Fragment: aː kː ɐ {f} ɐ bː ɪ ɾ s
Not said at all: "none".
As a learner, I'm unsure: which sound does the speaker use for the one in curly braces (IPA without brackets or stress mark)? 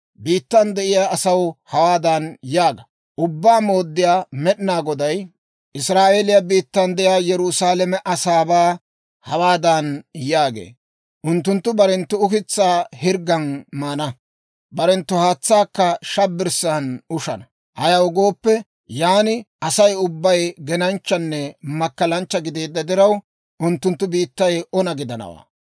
ʃ